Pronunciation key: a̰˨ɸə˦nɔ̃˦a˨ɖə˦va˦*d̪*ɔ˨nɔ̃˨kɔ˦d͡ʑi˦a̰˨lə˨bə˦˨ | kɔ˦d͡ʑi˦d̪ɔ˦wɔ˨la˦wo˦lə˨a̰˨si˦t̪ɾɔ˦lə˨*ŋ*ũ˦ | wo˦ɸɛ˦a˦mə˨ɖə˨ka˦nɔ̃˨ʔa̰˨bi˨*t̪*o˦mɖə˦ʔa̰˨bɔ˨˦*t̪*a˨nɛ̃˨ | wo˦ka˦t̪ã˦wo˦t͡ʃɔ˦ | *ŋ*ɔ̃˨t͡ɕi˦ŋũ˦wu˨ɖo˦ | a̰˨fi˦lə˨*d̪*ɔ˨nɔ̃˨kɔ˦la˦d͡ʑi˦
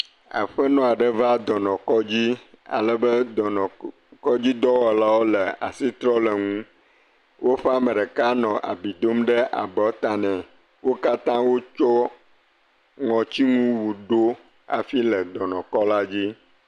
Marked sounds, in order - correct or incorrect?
correct, correct, incorrect, correct, correct, correct

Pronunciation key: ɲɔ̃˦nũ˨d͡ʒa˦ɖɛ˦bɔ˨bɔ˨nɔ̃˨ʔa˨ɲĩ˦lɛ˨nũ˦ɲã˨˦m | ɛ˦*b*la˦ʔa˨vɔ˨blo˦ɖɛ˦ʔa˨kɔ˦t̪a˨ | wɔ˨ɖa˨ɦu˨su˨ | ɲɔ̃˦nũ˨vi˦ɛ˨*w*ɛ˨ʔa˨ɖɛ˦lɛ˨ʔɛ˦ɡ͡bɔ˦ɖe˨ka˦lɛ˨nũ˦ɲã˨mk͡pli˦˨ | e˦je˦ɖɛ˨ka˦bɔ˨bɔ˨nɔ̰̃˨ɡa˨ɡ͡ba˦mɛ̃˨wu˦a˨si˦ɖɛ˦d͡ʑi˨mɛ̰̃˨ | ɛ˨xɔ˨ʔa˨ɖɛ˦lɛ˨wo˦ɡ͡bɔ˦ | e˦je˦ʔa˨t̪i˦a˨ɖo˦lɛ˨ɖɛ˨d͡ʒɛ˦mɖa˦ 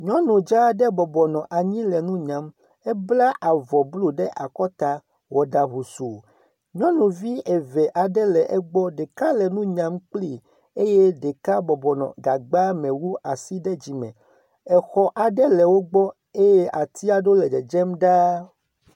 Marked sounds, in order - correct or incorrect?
correct, incorrect

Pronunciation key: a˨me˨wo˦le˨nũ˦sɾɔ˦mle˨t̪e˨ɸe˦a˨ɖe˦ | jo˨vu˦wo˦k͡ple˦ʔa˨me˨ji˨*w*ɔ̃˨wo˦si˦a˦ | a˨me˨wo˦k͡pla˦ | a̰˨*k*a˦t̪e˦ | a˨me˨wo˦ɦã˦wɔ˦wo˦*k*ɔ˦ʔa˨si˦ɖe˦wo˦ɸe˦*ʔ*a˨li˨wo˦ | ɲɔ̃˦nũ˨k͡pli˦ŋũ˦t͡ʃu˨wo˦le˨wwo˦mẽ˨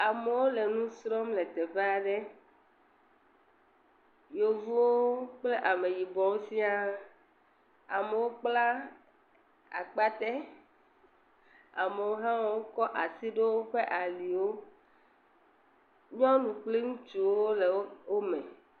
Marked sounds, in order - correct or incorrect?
incorrect, incorrect, correct, correct

